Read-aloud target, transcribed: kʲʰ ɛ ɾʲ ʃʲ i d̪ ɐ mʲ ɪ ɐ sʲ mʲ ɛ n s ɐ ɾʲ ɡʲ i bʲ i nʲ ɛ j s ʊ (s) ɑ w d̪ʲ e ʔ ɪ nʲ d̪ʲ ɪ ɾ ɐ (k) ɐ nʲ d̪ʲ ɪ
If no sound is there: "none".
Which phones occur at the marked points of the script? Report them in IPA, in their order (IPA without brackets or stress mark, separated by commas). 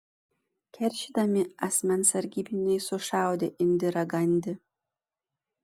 ʃ, ɡ